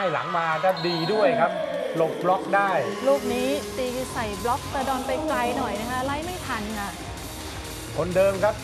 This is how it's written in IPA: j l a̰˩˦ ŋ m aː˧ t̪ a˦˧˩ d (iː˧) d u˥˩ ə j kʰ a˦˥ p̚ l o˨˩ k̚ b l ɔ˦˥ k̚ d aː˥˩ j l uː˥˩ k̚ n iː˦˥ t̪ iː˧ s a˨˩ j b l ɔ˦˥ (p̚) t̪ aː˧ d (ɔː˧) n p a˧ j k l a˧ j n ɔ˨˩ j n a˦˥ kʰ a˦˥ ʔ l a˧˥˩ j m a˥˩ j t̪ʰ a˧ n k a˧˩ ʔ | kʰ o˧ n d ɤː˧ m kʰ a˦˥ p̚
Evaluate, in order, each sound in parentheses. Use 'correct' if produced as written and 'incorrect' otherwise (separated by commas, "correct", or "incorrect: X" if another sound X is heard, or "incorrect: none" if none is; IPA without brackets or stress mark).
correct, incorrect: k̚, correct